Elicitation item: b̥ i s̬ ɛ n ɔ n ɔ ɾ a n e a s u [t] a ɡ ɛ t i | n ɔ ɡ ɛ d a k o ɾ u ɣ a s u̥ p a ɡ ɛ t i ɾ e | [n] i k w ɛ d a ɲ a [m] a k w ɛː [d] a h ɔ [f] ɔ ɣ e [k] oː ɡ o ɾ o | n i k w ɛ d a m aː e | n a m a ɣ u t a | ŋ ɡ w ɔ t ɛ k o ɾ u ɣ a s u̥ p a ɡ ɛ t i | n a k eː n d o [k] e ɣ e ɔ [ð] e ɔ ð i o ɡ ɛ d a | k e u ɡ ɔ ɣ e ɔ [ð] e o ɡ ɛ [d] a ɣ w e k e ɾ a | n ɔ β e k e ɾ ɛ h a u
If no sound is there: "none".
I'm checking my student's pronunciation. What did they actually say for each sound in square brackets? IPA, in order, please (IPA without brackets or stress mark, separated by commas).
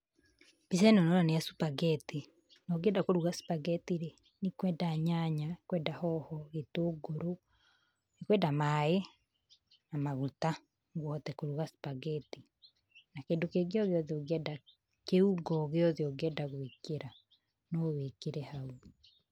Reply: p, n, ɲ, d, h, t, k, ɣ, ð, d